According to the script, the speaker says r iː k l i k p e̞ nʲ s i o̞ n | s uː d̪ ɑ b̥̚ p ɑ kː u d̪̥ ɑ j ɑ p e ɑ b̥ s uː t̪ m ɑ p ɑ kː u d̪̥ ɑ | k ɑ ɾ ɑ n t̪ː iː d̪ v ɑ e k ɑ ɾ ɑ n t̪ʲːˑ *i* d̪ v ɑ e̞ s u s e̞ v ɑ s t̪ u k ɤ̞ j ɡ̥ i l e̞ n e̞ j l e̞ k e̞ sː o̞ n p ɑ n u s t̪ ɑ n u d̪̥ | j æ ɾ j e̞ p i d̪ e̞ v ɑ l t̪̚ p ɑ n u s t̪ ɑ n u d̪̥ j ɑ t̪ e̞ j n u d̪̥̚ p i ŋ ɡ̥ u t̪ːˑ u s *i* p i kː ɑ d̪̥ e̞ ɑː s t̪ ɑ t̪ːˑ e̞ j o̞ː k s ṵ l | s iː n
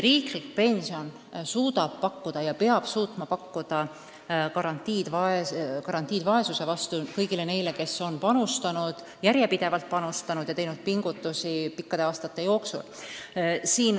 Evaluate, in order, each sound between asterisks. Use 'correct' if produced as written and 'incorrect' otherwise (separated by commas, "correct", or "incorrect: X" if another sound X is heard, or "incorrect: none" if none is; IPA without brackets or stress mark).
incorrect: iː, correct